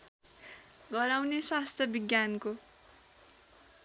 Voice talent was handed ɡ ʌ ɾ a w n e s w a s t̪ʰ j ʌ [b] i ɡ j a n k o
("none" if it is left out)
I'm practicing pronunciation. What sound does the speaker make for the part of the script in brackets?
b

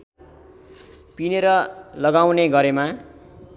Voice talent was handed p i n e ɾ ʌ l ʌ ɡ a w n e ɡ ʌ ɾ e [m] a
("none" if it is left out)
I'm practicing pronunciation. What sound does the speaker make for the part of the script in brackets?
m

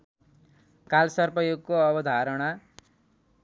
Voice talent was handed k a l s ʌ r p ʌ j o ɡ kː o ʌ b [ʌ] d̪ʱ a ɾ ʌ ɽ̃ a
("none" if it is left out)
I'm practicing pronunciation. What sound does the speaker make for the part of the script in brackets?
ʌ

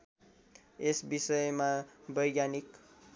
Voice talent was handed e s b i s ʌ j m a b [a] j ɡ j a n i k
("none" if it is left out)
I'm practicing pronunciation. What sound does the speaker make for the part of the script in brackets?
ʌ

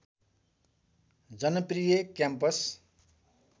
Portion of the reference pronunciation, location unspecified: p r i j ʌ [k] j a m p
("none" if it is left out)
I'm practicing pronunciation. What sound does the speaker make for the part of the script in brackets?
k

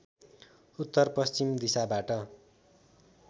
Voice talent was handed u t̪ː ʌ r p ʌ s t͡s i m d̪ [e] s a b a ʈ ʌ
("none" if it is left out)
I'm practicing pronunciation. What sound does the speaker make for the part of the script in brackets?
i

